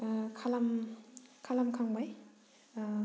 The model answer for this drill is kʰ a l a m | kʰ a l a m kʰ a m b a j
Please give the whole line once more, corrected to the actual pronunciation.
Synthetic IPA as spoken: kʰ a l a m | kʰ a l a m kʰ a ŋ b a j